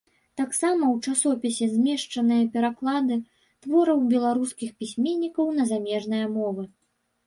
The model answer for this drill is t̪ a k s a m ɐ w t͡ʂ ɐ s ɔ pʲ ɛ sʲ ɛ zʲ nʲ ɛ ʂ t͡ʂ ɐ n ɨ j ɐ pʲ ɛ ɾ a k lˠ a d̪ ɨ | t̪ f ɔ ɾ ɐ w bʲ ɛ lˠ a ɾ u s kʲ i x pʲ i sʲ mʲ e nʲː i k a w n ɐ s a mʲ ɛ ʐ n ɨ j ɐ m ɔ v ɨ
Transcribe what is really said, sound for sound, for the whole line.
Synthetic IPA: t̪ a k s a m ɐ w t͡ʂ a s ɔ pʲ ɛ sʲ ɛ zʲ mʲ ɛ ʂ t͡ʂ ɐ n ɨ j ɐ pʲ ɛ ɾ a k lˠ a d̪ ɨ | t̪ v ɔ ɾ ɐ w bʲ ɛ lˠ a ɾ u s kʲ i x pʲ i sʲ mʲ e nʲː i k ɐ w n ɐ z a mʲ ɛ ʐ n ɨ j ɐ m ɔ v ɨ